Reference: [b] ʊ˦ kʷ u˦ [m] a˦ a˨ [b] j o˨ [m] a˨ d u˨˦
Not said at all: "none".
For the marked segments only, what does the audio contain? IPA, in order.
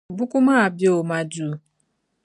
b, m, b, m

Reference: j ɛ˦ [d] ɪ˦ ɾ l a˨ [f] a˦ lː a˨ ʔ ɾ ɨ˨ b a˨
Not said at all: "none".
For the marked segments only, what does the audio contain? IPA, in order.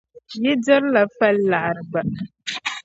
d, f

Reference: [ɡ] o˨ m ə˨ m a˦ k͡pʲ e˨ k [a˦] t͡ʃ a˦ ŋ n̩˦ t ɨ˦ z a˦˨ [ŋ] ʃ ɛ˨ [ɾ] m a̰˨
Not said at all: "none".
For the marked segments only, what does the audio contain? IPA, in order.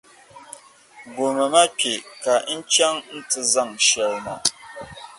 ɡ, a˨˦, ŋ, l

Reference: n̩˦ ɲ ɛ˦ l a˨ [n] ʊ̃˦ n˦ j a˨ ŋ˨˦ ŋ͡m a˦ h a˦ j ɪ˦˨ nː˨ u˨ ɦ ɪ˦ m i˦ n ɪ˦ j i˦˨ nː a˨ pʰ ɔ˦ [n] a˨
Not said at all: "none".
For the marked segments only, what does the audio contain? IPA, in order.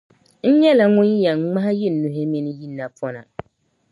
ŋ, n

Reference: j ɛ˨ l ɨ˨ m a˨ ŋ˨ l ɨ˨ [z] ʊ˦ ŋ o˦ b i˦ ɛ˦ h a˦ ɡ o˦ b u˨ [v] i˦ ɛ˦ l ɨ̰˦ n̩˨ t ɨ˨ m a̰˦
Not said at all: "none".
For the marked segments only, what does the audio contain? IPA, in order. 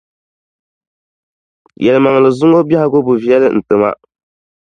z, v

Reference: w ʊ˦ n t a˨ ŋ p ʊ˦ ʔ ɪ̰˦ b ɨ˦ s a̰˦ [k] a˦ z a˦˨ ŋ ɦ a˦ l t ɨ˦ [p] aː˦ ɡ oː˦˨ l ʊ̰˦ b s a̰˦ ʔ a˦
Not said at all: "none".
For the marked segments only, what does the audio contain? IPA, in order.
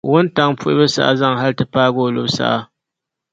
ʔ, p

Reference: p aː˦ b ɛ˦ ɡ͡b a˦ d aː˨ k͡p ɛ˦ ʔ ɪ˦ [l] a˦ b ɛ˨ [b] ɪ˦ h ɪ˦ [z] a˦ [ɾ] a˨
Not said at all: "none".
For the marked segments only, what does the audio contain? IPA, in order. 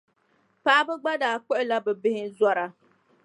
l, b, z, ɾ

